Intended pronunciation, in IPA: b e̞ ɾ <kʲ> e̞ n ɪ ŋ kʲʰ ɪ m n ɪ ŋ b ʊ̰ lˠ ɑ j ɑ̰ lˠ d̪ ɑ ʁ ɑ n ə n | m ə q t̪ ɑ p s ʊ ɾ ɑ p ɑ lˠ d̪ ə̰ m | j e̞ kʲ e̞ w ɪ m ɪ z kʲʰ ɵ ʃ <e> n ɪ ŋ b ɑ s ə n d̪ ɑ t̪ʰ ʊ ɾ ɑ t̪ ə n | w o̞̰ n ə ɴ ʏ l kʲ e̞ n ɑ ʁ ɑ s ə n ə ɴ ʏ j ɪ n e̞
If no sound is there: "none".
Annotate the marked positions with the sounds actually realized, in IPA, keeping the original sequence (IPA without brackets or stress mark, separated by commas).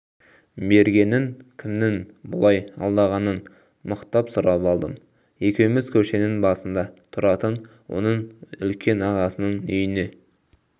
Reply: ɡʲ, e